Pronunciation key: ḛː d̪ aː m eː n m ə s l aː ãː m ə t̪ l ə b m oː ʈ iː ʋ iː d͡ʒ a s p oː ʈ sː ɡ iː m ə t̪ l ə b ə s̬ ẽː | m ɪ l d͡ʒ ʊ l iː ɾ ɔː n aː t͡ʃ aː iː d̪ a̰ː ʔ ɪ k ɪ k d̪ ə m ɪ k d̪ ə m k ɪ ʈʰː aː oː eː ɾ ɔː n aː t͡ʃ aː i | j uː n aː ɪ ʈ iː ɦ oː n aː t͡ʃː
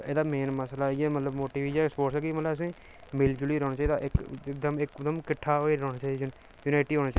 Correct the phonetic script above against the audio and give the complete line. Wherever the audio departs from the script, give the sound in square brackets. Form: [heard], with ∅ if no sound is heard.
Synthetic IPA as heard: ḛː d̪ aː m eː n m ə s l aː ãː m ə t̪ l ə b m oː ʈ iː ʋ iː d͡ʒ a s p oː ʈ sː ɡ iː m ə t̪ l ə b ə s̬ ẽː | m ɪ l d͡ʒ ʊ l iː ɾ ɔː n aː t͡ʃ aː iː d̪ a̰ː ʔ ɪ k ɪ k d̪ ə m ɪ k d̪ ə m k ɪ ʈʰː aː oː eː ɾ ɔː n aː t͡ʃ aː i | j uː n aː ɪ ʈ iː ɦ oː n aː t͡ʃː